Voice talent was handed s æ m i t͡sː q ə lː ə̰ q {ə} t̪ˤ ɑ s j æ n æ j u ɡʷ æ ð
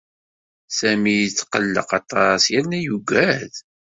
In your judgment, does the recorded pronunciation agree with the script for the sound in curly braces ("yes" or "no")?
no